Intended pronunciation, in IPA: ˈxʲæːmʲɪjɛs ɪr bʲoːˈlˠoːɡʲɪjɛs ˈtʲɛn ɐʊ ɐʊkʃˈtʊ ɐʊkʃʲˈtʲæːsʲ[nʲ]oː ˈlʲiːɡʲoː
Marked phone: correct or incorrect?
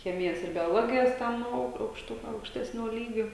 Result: correct